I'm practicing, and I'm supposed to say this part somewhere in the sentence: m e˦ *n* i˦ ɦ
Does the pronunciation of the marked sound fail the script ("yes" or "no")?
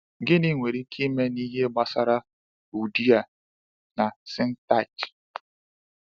no